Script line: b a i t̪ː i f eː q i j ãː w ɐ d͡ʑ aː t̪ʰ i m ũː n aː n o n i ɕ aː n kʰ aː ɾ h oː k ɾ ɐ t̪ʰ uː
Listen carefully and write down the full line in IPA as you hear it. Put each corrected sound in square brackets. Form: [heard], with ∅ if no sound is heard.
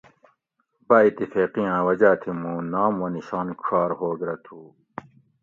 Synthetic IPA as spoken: b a i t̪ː i f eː q i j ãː w ɐ d͡ʑ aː t̪ʰ i m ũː n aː [m] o n i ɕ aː n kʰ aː ɾ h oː [ɡ] ɾ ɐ t̪ʰ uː